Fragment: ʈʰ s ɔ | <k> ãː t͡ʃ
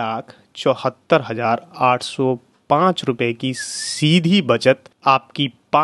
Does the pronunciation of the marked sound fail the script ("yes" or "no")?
yes